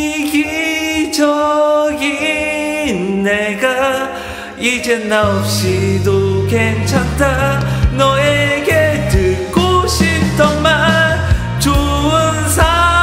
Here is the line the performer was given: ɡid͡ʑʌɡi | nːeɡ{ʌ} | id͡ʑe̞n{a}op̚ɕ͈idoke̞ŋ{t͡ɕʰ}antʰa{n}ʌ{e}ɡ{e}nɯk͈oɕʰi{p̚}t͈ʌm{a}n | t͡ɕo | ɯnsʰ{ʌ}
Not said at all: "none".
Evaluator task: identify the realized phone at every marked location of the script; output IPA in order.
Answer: a, a, t͡ɕʰ, n, e, e, p̚, a, a

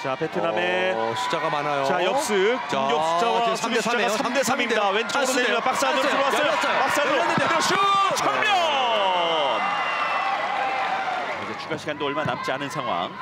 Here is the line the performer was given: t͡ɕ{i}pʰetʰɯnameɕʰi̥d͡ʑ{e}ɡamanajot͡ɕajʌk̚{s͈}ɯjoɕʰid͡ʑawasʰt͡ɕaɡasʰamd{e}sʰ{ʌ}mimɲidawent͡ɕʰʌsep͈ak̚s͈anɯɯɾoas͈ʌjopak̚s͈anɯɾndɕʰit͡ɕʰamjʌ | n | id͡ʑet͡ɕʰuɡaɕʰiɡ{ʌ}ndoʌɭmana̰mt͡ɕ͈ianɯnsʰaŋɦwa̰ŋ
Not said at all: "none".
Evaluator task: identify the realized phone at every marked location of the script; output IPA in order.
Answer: a, a, s͈, e, a, a

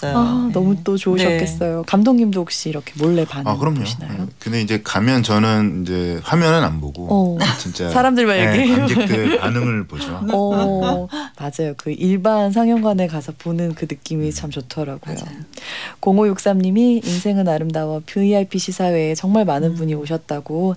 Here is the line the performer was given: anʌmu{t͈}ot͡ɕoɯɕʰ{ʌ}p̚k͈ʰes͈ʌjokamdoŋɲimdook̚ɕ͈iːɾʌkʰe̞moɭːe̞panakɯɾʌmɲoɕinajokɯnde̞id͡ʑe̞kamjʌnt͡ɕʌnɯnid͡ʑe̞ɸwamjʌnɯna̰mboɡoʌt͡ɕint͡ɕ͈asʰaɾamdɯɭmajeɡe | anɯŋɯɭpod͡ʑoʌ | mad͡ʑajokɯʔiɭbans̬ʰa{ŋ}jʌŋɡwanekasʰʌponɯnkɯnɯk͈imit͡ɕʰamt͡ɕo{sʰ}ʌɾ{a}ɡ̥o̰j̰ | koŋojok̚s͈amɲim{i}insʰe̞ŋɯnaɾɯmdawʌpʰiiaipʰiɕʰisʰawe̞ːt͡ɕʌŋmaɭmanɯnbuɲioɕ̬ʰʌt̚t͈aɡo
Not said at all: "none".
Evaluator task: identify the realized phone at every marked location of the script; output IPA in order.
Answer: t͈, ʌ, ŋ, tʰ, a, i

